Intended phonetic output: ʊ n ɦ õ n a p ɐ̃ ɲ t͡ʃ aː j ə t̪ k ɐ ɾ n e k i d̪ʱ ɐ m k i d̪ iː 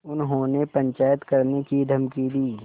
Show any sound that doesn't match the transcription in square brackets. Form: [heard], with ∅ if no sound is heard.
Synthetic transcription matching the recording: ʊ n ɦ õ n [e] p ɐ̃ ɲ t͡ʃ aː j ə t̪ k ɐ ɾ n e k i d̪ʱ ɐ m k i d̪ iː